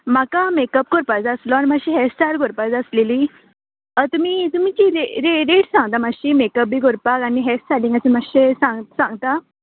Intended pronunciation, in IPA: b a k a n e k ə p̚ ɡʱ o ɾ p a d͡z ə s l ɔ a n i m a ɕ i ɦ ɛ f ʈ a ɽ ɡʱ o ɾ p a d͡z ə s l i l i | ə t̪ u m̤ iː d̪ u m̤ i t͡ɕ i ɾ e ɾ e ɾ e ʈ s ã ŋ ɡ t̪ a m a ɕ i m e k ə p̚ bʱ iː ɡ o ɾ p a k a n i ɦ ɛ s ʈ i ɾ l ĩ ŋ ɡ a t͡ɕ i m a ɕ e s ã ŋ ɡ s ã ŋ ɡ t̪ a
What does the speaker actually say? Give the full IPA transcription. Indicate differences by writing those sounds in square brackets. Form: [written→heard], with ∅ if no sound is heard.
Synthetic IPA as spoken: [b→m] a k a [n→m] e k ə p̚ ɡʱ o ɾ p a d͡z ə s l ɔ a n i m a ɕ i ɦ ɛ [f→s] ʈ a [ɽ→ɾ] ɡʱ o ɾ p a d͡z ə s l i l i | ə t̪ u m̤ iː [d̪→t̪] u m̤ i t͡ɕ i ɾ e ɾ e ɾ e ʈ s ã ŋ ɡ t̪ a m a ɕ i m e k ə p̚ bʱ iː ɡ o ɾ p a k a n i ɦ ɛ s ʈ [i→a] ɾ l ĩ ŋ ɡ a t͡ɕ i m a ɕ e s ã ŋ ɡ s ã ŋ ɡ t̪ a